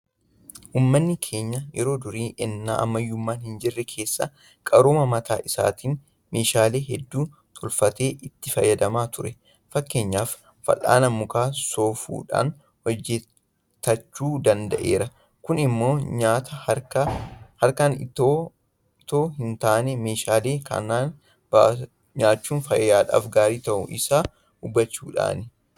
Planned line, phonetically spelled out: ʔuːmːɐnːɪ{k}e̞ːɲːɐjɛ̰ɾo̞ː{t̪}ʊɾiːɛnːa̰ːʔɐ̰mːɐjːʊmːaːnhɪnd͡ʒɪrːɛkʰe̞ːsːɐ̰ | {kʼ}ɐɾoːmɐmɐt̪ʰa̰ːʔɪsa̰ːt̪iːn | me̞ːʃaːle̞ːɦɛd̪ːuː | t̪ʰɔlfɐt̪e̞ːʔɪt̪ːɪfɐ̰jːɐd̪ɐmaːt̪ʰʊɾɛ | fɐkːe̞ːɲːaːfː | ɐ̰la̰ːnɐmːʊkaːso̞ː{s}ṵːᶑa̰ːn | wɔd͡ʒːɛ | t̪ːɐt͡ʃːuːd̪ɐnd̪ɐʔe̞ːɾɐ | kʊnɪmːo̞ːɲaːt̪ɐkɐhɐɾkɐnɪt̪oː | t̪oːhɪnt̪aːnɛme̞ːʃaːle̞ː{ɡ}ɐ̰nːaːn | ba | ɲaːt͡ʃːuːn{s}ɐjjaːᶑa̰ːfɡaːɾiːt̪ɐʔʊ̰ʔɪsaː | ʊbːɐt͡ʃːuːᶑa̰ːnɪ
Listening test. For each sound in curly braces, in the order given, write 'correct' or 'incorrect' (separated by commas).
incorrect, incorrect, correct, incorrect, incorrect, incorrect